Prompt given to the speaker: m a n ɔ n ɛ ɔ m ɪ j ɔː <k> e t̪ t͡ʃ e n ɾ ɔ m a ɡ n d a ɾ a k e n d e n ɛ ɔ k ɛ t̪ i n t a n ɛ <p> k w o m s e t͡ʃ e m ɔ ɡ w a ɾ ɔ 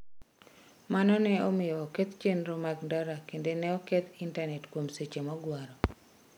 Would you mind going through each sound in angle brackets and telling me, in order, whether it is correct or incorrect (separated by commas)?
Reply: correct, incorrect